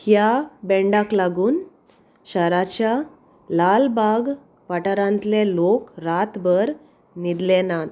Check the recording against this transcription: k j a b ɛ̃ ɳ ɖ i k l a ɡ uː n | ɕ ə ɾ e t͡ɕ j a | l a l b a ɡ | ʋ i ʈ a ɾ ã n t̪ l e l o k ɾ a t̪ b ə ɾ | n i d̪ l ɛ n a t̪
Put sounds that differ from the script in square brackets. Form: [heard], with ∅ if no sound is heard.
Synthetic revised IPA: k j a b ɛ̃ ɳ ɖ [a] k l a ɡ uː n | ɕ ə ɾ [a] t͡ɕ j a | l a l b a ɡ | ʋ [a] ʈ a ɾ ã n t̪ l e l o k ɾ a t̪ b ə ɾ | n i d̪ l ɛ n a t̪